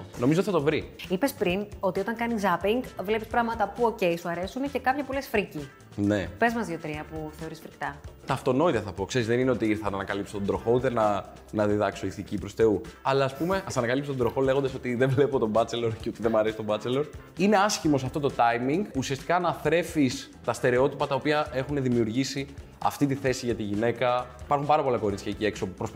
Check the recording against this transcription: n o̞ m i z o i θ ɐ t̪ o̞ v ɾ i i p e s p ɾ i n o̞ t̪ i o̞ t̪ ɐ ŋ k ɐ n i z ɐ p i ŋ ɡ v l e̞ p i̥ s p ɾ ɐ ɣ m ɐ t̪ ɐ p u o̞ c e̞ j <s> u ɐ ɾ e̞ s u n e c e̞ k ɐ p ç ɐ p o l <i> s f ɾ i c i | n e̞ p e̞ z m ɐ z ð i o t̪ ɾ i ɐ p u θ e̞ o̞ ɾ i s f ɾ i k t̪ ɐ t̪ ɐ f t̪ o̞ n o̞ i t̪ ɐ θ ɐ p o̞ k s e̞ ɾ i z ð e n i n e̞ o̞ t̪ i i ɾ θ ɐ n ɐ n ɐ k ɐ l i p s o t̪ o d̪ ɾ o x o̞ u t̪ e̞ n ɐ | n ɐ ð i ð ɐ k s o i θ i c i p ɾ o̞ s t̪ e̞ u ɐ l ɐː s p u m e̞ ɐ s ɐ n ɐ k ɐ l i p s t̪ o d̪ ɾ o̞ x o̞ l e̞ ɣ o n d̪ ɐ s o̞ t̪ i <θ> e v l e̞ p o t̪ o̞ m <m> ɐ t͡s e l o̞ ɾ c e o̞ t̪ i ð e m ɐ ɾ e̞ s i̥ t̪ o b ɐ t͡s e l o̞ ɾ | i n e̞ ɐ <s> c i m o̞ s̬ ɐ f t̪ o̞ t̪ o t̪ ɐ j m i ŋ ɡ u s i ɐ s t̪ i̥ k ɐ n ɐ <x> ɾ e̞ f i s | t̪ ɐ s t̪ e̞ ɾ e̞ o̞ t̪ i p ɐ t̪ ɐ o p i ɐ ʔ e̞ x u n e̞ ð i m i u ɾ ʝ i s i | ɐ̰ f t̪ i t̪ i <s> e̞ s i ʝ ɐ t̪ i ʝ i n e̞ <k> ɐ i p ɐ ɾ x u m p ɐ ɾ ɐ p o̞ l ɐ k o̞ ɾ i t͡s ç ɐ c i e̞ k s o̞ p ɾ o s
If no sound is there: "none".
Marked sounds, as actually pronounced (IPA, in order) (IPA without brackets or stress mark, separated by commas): s, e, ð, b, s, θ, θ, k